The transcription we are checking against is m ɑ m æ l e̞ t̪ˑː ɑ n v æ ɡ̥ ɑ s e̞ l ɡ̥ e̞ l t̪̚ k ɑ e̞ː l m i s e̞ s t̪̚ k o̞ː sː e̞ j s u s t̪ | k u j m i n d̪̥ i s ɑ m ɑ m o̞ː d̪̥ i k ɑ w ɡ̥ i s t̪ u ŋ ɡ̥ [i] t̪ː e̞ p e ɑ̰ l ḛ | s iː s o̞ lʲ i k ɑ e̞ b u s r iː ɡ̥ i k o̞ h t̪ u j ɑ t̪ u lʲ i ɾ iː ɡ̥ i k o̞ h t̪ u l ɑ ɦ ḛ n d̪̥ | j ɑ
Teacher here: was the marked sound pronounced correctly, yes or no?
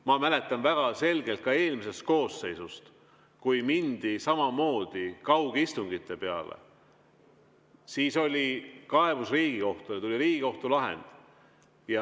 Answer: yes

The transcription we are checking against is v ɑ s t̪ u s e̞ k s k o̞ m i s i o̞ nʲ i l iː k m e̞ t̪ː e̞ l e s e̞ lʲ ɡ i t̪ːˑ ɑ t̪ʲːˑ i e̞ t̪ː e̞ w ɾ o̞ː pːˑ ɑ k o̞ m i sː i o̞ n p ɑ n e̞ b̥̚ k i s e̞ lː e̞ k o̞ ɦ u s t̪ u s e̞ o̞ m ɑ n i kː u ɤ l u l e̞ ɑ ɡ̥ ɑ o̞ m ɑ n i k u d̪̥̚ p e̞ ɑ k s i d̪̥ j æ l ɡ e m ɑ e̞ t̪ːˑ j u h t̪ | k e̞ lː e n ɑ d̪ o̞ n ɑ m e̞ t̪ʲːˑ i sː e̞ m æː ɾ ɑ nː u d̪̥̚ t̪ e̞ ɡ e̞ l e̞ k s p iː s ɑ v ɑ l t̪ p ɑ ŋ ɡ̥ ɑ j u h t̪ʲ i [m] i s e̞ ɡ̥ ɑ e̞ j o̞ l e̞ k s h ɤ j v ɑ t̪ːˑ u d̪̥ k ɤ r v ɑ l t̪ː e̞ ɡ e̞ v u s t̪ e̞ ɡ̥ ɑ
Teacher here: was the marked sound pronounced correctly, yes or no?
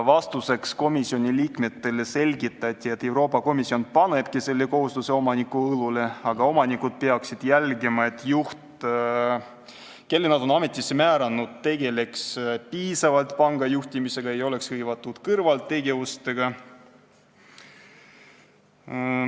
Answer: yes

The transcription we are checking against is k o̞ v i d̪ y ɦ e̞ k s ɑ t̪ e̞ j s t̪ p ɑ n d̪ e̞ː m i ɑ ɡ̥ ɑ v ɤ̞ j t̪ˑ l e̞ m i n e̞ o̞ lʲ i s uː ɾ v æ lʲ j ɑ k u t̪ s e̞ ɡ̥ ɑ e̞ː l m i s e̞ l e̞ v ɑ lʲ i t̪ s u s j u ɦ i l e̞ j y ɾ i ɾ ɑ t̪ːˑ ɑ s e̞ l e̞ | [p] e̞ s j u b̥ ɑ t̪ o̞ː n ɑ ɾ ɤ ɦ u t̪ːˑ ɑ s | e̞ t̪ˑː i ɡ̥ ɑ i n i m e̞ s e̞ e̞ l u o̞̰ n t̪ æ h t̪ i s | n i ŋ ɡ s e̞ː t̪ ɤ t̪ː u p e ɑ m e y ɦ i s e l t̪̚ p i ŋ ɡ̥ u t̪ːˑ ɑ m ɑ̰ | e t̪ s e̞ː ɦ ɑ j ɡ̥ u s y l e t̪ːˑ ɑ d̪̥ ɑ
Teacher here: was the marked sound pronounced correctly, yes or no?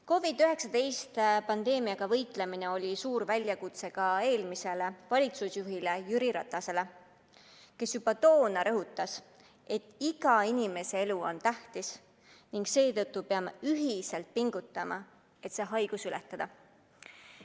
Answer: no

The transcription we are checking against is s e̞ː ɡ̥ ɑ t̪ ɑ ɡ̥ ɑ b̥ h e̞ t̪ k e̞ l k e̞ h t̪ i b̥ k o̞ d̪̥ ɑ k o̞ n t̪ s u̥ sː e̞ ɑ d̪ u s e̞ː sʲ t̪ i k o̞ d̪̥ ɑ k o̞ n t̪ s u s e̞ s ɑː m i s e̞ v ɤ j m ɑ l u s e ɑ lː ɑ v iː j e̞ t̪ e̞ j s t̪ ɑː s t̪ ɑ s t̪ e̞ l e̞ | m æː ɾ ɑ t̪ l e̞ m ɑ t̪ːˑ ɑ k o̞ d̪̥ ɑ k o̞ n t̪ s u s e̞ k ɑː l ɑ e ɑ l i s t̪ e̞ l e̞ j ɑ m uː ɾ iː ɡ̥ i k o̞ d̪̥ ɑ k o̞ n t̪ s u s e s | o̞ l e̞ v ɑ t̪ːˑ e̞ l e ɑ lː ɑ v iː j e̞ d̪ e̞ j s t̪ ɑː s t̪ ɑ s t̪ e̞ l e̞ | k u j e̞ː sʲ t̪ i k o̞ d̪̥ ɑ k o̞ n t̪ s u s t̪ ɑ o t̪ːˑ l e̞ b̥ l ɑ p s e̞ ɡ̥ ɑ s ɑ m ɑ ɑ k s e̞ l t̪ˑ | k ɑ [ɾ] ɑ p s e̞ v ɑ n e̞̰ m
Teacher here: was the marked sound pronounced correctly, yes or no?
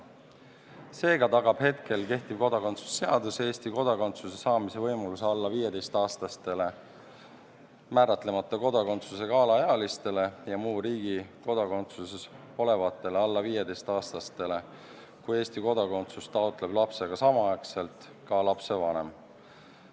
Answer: no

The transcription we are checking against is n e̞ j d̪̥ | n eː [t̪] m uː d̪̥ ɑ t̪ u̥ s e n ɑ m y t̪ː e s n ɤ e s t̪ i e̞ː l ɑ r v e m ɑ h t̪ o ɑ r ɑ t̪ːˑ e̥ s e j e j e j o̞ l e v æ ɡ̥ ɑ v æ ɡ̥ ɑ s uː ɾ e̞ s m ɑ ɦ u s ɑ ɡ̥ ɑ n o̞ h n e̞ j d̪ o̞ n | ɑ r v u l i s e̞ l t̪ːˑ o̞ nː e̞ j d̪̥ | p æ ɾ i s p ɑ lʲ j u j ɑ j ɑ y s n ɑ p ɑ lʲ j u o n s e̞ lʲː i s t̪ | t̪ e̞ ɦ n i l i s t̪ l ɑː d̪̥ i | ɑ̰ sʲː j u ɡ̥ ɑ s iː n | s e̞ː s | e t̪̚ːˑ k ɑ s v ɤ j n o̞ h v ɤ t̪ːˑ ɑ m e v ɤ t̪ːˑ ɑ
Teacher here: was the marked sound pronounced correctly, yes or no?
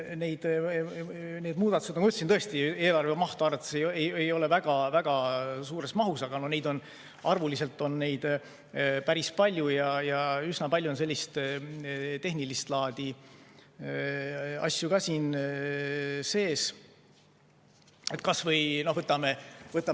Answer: no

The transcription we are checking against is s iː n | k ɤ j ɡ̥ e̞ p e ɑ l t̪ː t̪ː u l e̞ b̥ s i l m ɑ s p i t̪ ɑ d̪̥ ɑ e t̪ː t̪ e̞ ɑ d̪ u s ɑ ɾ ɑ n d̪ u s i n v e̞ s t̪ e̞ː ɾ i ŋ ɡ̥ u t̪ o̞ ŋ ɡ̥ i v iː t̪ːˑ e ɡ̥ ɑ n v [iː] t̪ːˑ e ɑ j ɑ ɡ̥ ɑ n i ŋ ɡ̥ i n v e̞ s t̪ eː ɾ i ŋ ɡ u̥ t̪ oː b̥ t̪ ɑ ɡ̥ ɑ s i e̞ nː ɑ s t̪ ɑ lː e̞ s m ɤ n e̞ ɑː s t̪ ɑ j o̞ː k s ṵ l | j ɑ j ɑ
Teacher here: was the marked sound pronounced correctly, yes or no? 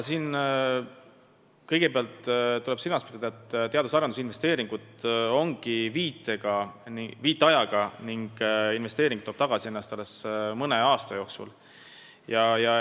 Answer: yes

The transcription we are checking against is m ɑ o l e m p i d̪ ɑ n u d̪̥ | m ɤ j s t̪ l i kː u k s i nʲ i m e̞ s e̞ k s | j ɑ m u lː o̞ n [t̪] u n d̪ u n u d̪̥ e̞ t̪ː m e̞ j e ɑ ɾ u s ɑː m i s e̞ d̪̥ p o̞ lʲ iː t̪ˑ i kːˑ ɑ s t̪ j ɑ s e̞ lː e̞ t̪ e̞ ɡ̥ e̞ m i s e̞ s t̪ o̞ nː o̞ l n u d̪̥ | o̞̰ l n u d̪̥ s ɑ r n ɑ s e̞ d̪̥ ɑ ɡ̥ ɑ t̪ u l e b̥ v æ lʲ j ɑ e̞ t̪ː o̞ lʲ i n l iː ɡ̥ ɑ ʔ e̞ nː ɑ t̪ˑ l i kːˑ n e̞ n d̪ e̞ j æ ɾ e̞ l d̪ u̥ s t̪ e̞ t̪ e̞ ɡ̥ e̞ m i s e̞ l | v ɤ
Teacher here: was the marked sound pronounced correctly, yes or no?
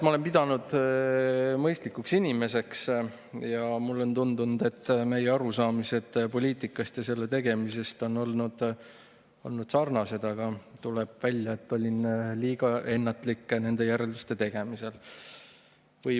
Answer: yes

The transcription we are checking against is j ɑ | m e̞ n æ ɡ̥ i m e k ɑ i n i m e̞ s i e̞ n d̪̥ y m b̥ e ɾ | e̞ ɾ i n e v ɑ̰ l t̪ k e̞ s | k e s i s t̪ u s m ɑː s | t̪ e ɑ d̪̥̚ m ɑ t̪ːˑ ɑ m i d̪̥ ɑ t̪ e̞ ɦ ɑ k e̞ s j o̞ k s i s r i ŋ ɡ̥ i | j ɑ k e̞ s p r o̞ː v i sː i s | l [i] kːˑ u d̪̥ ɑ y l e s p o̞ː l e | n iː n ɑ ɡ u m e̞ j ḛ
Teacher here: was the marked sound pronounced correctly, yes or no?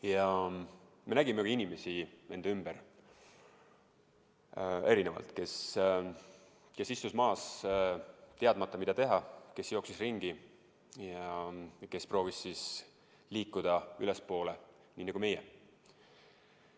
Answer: no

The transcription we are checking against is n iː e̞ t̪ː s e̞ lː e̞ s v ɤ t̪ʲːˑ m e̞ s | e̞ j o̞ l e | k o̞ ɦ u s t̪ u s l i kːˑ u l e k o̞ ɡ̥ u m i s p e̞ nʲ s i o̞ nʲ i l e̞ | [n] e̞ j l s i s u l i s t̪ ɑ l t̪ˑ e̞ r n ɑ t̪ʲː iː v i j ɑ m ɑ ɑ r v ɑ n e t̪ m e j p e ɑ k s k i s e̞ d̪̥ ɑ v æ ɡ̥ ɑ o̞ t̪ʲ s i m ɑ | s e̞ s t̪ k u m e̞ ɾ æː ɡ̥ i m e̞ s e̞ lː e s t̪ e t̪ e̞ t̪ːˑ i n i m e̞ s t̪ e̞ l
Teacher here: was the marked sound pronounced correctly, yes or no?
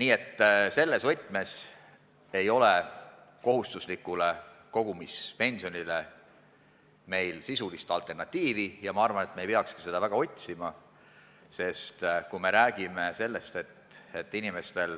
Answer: no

